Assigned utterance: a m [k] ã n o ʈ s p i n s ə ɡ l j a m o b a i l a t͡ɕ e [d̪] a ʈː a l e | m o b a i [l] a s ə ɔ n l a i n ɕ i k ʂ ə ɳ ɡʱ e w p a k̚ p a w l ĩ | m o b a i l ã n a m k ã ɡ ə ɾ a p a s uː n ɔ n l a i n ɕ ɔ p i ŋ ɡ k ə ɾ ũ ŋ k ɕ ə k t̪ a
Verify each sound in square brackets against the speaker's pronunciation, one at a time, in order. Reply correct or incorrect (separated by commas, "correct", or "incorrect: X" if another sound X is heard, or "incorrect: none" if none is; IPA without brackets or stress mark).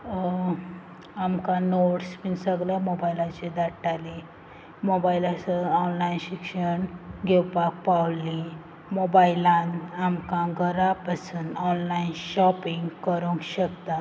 correct, correct, correct